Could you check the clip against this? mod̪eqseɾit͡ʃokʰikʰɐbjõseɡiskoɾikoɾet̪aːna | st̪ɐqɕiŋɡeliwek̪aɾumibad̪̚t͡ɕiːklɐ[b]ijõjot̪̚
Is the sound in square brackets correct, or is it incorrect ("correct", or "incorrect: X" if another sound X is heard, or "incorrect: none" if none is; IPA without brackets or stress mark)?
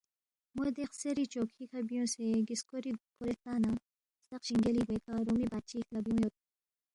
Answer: correct